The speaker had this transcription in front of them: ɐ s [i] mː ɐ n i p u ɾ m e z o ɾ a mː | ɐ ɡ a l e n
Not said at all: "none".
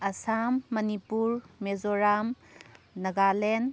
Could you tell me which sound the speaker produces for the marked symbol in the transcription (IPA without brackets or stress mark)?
a